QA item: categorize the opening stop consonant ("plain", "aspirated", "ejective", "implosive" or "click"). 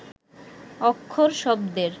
aspirated